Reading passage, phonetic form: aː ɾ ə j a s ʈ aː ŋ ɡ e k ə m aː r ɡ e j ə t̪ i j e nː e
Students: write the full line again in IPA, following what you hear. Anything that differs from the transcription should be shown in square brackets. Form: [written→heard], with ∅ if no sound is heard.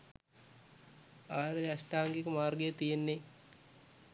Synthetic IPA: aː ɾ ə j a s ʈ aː ŋ ɡ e k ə m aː r ɡ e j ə t̪ i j e nː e